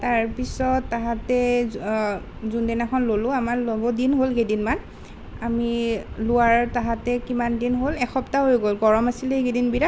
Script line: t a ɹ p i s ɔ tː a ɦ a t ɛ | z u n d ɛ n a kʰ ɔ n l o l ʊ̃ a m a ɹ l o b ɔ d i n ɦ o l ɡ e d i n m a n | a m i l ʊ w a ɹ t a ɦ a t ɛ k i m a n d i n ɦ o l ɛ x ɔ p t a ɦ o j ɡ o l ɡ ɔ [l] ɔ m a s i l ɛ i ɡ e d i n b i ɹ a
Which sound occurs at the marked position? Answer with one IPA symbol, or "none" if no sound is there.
ɹ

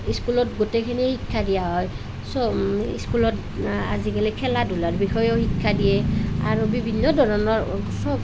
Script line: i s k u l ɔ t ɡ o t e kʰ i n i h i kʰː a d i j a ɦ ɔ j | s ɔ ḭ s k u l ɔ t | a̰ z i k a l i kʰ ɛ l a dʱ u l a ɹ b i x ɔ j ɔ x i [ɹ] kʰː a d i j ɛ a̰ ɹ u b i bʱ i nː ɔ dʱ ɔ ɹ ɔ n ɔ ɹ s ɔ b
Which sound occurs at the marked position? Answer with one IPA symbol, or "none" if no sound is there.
none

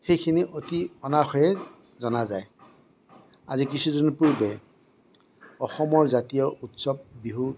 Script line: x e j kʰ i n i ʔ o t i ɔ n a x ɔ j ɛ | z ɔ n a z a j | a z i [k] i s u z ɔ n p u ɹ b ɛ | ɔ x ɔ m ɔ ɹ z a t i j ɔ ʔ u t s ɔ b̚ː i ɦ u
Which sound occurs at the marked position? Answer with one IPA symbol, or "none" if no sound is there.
k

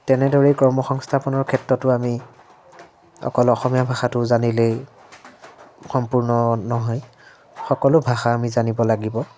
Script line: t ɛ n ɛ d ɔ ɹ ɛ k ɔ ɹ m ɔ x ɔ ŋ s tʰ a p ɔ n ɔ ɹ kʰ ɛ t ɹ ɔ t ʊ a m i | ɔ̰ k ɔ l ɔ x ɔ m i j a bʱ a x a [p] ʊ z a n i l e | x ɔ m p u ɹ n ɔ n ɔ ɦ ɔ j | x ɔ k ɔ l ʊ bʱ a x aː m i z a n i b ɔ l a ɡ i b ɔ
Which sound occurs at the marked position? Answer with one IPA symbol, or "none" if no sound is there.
t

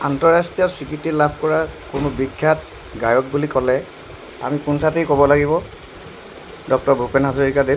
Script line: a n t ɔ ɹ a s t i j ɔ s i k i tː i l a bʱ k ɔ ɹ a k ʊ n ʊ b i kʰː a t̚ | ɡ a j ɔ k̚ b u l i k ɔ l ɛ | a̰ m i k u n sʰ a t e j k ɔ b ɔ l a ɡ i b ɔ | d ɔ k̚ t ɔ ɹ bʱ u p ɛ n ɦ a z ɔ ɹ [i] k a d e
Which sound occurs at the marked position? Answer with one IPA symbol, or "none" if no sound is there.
i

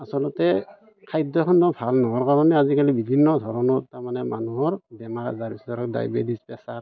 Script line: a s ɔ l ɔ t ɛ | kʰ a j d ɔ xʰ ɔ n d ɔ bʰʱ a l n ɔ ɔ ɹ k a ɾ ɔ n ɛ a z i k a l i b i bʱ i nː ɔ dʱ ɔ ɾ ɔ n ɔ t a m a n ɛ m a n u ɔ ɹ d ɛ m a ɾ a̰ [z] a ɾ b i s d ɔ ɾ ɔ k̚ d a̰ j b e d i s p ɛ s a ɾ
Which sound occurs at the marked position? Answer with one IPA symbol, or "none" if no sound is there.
z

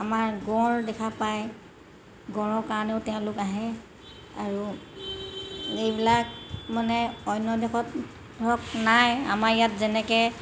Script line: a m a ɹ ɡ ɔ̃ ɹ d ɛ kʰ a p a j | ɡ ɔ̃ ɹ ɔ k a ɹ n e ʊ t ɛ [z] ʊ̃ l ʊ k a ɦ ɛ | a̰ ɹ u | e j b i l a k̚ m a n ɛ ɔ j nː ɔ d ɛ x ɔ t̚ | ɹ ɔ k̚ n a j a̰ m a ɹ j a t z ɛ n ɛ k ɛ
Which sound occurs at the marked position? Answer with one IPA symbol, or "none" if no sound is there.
none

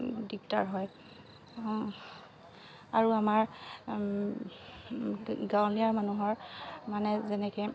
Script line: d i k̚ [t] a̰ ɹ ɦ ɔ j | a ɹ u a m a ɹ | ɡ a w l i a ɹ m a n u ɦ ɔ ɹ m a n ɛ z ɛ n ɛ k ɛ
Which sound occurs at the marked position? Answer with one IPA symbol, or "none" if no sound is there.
t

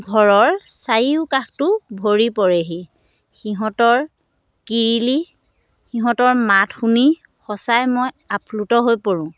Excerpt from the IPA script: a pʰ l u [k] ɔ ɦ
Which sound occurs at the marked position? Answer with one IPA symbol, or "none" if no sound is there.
t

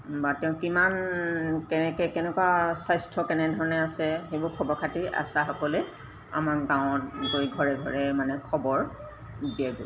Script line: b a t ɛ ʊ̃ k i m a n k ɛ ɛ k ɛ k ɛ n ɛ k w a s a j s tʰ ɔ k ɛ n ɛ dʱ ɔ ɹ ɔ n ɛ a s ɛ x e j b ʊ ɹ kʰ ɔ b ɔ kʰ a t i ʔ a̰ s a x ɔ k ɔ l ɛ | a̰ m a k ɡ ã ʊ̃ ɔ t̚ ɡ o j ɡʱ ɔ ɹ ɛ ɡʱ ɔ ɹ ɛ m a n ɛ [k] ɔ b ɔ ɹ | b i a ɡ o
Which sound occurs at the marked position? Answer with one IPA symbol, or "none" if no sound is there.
kʰ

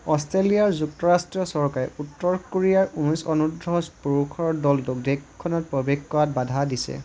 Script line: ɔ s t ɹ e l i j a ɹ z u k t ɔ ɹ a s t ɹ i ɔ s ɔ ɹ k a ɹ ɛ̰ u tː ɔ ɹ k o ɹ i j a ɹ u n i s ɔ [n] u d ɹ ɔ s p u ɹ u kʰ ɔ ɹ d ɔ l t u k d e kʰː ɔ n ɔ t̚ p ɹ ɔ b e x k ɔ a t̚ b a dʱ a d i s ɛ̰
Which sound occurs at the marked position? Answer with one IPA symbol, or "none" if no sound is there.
n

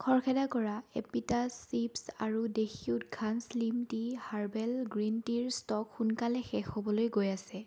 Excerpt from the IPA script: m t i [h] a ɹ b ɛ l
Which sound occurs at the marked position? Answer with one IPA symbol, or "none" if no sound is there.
h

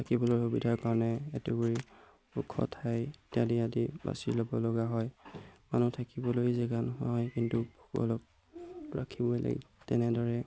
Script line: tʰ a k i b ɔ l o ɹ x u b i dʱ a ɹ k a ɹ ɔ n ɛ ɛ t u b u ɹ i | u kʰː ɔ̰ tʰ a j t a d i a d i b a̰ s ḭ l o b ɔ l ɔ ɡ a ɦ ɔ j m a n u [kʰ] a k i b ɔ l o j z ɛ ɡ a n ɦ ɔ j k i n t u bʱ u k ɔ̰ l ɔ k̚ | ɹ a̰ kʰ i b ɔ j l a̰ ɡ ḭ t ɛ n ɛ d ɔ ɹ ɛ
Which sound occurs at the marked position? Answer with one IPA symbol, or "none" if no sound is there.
tʰ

